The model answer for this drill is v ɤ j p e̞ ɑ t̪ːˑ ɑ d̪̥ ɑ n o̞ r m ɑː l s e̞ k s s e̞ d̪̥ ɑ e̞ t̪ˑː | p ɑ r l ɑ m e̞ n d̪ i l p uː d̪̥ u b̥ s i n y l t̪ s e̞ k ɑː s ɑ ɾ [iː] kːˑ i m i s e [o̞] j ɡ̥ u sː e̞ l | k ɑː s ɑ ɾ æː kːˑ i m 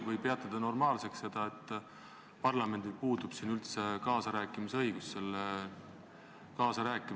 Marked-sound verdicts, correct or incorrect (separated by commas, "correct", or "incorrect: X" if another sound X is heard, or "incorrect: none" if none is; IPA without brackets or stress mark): incorrect: æː, incorrect: ɤ̞